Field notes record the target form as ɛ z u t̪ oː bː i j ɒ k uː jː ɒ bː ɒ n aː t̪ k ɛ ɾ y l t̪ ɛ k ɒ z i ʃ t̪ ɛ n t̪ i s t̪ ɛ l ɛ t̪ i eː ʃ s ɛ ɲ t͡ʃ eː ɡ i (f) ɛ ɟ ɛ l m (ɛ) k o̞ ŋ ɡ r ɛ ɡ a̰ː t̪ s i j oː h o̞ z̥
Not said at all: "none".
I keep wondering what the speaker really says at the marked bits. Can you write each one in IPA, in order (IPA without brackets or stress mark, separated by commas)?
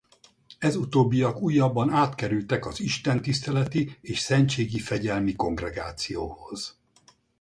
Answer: f, i